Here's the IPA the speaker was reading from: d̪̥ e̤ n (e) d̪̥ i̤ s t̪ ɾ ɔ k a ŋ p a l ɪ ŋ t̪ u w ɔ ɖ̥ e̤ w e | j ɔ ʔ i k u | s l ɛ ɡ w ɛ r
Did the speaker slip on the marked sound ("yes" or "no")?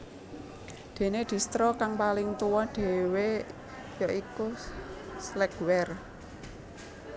no